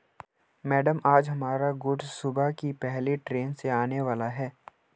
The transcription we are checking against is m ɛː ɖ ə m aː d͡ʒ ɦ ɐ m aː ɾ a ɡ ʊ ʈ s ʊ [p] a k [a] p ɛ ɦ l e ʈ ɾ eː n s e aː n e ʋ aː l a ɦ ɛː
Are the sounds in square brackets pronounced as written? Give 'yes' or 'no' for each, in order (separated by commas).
no, no